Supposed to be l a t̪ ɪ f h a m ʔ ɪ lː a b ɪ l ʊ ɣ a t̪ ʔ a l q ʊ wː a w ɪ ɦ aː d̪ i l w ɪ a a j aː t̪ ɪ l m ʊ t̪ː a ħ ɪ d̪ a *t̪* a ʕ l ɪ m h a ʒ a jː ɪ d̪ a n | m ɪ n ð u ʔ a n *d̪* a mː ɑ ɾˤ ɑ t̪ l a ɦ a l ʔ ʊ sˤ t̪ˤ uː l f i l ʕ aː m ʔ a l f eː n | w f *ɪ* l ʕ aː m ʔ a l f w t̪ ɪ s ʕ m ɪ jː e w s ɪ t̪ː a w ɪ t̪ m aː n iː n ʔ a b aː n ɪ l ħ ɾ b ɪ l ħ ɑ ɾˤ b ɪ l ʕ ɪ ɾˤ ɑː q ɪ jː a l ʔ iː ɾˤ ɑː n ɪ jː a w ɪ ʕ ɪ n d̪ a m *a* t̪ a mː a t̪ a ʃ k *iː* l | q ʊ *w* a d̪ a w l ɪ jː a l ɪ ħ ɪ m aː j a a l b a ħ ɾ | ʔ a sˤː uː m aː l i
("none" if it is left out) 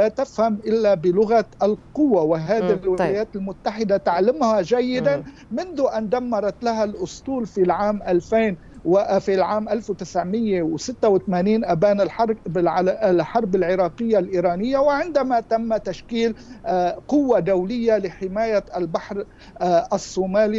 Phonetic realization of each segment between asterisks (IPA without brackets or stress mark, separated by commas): t̪, d̪, i, a, iː, wː